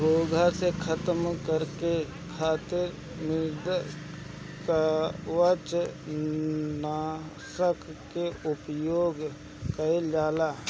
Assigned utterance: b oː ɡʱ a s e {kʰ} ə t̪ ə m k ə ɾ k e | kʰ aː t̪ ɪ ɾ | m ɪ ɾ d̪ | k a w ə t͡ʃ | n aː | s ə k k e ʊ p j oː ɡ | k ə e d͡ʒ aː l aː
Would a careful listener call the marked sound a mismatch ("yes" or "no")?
no